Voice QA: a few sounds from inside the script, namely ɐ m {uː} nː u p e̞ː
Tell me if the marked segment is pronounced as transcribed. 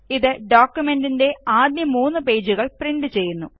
yes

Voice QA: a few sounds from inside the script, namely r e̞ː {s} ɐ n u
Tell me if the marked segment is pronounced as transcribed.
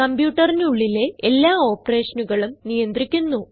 no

